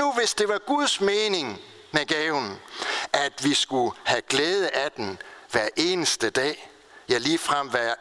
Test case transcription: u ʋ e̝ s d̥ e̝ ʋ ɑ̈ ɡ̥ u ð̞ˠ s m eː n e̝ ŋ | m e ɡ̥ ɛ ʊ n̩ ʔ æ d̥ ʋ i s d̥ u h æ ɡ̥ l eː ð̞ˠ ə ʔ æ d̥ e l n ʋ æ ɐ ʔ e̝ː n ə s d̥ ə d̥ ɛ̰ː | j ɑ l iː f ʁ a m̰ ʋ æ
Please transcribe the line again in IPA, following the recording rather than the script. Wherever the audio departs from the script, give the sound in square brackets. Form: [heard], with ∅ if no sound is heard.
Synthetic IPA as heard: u ʋ e̝ s d̥ e̝ ʋ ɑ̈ ɡ̥ u ð̞ˠ s m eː n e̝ ŋ | m e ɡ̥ ɛ ʊ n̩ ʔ æ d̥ ʋ i s [ɡ̥] u h æ ɡ̥ l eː ð̞ˠ ə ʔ æ d̥ e [∅] n ʋ æ ɐ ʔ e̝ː n ə s d̥ ə d̥ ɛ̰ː | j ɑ l iː f ʁ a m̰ ʋ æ